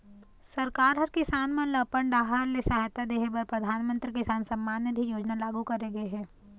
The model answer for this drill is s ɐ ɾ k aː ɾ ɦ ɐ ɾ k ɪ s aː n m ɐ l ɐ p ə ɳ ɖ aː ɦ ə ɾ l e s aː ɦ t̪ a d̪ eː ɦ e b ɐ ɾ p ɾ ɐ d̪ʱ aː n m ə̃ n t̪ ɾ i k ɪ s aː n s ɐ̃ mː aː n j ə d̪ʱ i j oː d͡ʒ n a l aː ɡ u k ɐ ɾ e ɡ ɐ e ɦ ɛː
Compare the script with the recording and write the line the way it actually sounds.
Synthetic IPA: s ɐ ɾ k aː ɾ ɦ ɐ ɾ k ɪ s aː n m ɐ l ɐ p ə ɳ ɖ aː ɦ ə ɾ l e s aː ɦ t̪ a d̪ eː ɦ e b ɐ ɾ p ɾ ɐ d̪ʱ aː n m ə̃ n t̪ ɾ i k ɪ s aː n s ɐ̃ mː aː n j ə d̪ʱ i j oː d͡ʒ n a l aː ɡ u k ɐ ɾ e ɡ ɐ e ɦ ɛː

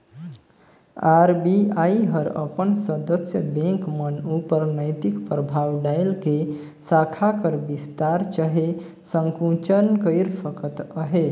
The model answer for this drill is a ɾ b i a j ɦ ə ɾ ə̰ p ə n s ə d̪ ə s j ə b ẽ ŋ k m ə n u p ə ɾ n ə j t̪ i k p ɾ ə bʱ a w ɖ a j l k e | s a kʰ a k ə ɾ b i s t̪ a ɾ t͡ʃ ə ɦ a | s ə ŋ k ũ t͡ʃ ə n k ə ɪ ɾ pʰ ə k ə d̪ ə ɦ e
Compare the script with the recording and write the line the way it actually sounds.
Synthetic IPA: a ɾ b i a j ɦ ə ɾ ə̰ p ə n s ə d̪ ə s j ə b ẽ ŋ k m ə n u p ə ɾ n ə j t̪ i k p ɾ ə bʱ a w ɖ a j l k e | s a kʰ a k ə ɾ b i s t̪ a ɾ t͡ʃ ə ɦ e | s ə ŋ k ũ t͡ʃ ə n k ə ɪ ɾ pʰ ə k ə t̪ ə ɦ e

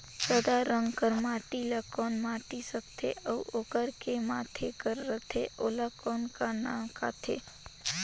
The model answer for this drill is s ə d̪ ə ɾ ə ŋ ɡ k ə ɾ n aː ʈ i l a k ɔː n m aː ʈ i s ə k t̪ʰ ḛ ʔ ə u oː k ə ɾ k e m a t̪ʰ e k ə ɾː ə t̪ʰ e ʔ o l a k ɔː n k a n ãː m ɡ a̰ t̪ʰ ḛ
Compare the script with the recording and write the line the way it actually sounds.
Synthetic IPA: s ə d̪ a ɾ ə ŋ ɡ k ə ɾ m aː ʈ i l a k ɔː n m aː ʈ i s ə k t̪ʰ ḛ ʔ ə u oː k ə ɾ k e m a t̪ʰ e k ə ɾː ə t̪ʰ e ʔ o l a k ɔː n k a n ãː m k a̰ t̪ʰ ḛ

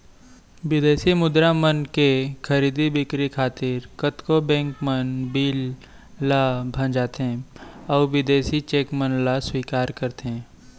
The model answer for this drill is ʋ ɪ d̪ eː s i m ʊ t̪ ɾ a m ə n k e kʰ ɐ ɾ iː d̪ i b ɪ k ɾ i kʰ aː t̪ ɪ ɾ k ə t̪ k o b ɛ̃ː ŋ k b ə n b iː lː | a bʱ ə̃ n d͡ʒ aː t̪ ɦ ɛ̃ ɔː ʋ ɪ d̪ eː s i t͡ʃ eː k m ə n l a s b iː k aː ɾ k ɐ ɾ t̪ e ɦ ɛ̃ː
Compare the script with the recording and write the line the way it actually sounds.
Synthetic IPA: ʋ ɪ d̪ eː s i m ʊ d̪ ɾ a m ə n k e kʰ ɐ ɾ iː d̪ i b ɪ k ɾ i kʰ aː t̪ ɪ ɾ k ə t̪ k o b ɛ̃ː ŋ k m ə n b iː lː | a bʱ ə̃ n d͡ʒ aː t̪ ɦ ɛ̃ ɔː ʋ ɪ d̪ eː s i t͡ʃ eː k m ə n l a s w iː k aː ɾ k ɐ ɾ t̪ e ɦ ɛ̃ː

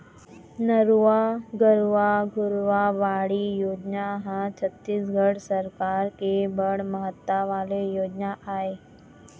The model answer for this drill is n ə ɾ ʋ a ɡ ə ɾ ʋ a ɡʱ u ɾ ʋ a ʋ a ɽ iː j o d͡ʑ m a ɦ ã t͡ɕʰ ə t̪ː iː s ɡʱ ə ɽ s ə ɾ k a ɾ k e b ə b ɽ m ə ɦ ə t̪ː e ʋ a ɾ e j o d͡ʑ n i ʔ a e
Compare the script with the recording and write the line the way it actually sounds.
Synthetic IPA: n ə ɾ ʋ a ɡ ə ɾ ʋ a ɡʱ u ɾ ʋ a ʋ a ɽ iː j o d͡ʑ n a ɦ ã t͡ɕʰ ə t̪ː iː s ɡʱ ə ɽ s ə ɾ k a ɾ k e b ə ɽ m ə ɦ ə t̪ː a ʋ a l e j o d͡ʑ n a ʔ a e

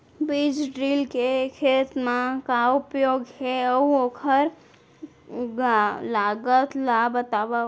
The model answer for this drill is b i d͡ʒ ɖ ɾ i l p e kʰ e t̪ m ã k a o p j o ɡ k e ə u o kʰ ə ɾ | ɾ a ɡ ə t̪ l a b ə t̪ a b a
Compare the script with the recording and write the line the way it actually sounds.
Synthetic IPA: b i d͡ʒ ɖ ɾ i l k e kʰ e t̪ m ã k a u p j o ɡ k e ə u o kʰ ə ɾ | l a ɡ ə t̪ l a b ə t̪ a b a

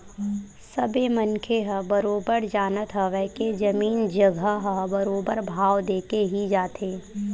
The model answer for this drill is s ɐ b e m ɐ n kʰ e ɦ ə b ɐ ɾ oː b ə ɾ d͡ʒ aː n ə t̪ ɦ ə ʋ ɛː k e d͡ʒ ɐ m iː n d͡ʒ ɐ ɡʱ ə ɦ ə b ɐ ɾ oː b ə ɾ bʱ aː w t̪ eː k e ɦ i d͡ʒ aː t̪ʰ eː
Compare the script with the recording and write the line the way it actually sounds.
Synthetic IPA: s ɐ b e m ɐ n kʰ e ɦ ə b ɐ ɾ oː b ə ɾ d͡ʒ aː n ə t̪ ɦ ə ʋ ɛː k e d͡ʒ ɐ m iː n d͡ʒ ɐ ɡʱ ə ɦ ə b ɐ ɾ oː b ə ɾ bʱ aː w d̪ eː k e ɦ i d͡ʒ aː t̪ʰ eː

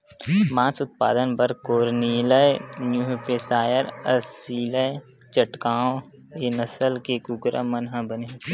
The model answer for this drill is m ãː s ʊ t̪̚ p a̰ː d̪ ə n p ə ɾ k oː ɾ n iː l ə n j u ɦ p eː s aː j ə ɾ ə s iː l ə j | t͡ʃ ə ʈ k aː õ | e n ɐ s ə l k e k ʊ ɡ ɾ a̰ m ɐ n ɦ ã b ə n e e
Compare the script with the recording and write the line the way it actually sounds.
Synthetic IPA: m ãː s ʊ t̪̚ p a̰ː d̪ ə n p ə ɾ k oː ɾ n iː l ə n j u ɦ p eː s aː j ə ɾ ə s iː l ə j | t͡ʃ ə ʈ k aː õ | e n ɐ s ə l k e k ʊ ɡ ɾ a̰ m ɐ n ɦ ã b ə n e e

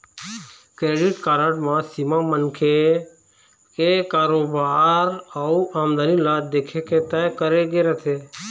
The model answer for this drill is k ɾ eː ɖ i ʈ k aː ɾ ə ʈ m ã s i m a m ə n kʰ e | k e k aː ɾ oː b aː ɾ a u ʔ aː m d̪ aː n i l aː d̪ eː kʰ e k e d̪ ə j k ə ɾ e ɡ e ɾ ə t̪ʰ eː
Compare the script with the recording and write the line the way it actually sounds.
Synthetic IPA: k ɾ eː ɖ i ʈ k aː ɾ ə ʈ m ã s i m a m ə n kʰ e | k e k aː ɾ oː b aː ɾ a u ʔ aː m d̪ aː n i l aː d̪ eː kʰ e k e t̪ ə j k ə ɾ e ɡ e ɾ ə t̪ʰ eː

